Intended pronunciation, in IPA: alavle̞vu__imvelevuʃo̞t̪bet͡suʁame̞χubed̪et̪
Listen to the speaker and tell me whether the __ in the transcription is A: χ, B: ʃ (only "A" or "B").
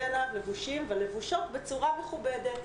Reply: B